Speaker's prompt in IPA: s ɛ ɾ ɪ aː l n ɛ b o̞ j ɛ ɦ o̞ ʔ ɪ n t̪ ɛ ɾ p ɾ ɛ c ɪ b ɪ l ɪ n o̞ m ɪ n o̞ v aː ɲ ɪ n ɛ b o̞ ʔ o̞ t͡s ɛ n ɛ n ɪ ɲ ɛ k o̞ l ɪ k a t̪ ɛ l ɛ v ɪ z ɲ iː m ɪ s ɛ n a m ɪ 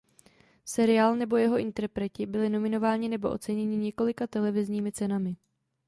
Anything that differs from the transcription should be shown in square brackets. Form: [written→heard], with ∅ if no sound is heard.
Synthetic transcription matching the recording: s ɛ ɾ ɪ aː l n ɛ b o̞ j ɛ ɦ o̞ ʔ ɪ n t̪ ɛ ɾ p ɾ ɛ c ɪ b ɪ l ɪ n o̞ m ɪ n o̞ v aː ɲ ɪ n ɛ b o̞ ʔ o̞ t͡s ɛ [n→ɲ] ɛ [n→ɲ] ɪ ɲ ɛ k o̞ l ɪ k a t̪ ɛ l ɛ v ɪ z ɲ iː m ɪ [s→t͡s] ɛ n a m ɪ